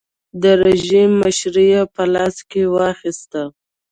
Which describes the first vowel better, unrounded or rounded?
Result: unrounded